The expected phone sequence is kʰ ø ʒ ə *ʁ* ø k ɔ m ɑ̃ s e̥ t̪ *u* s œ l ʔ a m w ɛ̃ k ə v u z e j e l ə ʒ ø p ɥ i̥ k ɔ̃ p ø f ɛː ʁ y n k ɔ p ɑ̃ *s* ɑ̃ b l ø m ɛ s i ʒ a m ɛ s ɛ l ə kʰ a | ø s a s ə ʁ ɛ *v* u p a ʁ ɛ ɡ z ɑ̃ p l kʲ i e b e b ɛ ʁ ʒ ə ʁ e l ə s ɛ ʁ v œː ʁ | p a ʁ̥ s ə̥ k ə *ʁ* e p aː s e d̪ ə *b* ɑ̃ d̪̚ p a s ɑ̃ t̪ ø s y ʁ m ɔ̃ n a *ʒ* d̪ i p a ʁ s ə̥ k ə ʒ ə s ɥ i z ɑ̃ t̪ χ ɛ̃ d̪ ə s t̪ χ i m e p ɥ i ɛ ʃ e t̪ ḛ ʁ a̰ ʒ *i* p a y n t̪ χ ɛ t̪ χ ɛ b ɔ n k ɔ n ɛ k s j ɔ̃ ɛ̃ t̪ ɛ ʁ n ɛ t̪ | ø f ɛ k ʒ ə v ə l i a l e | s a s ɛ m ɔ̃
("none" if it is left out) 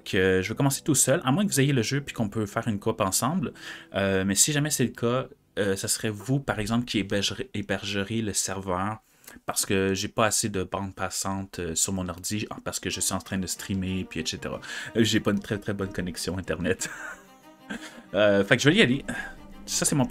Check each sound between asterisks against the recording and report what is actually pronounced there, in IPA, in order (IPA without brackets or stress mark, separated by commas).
v, u, s, v, ʒ, b, ʁ, e